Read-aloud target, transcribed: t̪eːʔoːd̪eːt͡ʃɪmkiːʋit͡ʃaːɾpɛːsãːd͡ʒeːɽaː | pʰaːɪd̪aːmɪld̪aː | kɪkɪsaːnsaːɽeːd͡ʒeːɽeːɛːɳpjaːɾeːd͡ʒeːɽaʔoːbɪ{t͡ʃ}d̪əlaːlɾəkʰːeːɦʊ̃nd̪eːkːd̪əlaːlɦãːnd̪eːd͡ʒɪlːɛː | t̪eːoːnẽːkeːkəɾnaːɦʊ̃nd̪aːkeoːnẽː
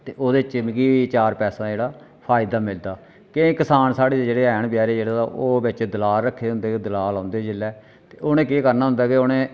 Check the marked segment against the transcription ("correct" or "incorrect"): correct